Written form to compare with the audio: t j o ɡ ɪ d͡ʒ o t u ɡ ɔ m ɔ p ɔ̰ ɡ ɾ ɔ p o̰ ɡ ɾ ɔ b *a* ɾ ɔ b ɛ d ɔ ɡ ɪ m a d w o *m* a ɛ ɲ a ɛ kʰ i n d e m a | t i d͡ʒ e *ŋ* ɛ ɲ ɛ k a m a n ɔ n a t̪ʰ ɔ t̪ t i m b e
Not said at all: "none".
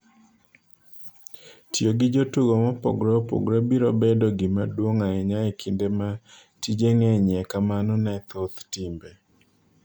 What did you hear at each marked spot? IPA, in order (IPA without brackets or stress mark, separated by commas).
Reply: i, ŋ, ŋ